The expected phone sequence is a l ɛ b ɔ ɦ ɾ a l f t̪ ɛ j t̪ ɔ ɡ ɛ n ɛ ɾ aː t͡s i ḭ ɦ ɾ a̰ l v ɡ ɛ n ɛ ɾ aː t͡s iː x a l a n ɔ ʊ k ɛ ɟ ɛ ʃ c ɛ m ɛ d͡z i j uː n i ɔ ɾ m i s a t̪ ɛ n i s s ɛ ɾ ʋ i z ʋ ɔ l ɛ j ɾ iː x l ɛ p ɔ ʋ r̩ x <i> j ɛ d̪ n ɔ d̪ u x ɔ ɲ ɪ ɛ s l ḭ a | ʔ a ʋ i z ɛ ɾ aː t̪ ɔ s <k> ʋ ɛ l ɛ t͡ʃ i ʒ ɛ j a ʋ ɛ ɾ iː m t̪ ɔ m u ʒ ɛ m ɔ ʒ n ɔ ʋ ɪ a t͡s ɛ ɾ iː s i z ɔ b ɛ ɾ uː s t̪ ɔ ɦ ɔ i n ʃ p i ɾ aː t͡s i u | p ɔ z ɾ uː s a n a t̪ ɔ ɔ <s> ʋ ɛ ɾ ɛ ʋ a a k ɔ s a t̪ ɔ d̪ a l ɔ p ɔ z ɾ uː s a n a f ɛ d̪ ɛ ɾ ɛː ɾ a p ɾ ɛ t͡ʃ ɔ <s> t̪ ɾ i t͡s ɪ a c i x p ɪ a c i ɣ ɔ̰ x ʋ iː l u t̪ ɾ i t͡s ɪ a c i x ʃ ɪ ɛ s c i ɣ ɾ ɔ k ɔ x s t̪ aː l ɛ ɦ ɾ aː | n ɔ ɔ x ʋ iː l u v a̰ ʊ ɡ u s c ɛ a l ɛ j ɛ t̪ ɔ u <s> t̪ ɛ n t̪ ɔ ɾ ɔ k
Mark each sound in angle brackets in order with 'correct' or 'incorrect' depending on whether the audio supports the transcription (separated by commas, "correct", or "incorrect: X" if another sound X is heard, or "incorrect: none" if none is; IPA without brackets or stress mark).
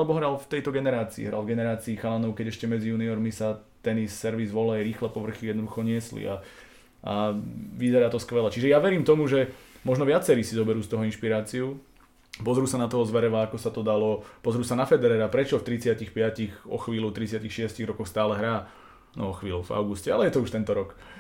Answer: correct, correct, incorrect: z, incorrect: f, incorrect: ʃ